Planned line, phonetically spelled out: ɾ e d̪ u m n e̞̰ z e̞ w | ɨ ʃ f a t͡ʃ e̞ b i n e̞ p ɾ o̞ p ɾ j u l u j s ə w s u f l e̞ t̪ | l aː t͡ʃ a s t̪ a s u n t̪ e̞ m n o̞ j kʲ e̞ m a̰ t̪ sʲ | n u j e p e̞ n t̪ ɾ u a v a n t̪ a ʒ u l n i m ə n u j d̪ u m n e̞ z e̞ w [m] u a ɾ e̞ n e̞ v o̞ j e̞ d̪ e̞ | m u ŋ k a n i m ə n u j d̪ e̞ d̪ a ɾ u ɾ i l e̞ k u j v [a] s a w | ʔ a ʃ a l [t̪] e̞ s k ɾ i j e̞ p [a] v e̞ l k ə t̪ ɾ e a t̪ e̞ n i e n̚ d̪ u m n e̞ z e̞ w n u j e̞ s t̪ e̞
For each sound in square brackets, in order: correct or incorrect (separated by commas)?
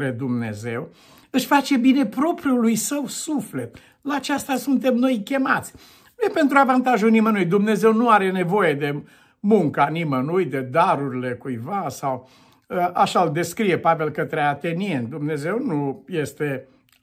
incorrect, correct, incorrect, correct